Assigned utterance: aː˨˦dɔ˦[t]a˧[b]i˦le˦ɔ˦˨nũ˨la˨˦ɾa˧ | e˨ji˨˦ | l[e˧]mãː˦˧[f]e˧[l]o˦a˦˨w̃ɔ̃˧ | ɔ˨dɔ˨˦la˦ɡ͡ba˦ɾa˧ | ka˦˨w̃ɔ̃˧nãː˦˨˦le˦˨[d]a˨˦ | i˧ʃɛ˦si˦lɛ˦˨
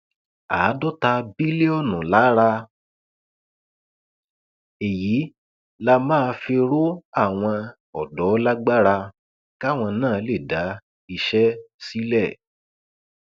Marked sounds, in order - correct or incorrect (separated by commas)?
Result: correct, correct, incorrect, correct, incorrect, correct